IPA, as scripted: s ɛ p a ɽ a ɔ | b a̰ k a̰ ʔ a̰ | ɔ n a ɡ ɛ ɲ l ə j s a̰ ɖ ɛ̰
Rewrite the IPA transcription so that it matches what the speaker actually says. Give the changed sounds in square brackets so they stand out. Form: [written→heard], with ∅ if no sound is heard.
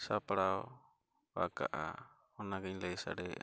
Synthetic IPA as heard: s [ɛ→a] p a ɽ a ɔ | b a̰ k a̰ ʔ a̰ | ɔ n a ɡ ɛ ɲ l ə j s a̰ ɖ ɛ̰

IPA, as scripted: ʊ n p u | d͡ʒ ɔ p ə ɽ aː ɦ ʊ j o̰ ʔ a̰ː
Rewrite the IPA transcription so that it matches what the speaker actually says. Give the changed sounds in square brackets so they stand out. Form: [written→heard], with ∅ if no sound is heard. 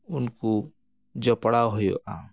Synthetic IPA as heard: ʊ n [p→k] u | d͡ʒ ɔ p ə ɽ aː ɦ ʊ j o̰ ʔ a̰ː

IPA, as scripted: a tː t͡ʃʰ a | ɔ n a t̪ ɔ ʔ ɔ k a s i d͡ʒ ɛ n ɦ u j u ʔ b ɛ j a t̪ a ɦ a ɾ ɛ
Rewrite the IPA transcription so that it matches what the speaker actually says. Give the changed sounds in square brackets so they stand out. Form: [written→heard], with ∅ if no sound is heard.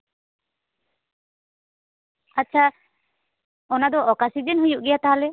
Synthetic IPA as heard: a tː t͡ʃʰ a | ɔ n a [t̪→d̪] ɔ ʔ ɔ k a s i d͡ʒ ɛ n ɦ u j u ʔ [b→ɡ] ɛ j a t̪ a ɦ a [ɾ→l] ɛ

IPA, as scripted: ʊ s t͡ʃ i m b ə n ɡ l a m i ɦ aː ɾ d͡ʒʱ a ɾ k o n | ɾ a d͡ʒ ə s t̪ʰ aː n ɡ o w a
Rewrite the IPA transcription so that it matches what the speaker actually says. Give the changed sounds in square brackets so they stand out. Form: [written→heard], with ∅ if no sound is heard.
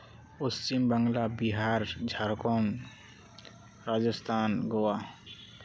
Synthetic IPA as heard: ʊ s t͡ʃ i m b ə [n→ŋ] ɡ l a [m→b] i ɦ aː ɾ d͡ʒʱ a ɾ k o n | ɾ a d͡ʒ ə s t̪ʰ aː n ɡ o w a

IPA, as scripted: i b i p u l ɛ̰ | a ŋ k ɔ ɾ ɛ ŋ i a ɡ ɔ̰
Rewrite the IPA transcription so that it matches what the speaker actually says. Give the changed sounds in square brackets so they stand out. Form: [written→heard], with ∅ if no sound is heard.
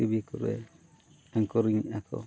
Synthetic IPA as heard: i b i [p→k] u [l→ɾ] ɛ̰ | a ŋ k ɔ ɾ [ɛ→i] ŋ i a [ɡ→k] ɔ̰

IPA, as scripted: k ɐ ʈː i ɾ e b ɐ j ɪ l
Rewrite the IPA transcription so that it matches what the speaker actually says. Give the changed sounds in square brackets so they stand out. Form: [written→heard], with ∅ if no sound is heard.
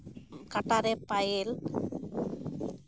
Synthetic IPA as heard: k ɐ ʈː [i→a] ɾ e [b→p] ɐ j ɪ l

